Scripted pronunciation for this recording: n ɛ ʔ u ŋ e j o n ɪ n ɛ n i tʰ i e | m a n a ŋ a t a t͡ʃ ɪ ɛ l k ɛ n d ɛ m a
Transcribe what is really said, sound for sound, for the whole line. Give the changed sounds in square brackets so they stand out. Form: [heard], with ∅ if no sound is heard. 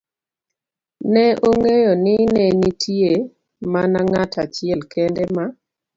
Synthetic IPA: n ɛ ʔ [o] ŋ e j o n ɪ n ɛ n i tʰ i e | m a n a ŋ a t a t͡ʃ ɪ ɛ l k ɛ n d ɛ m a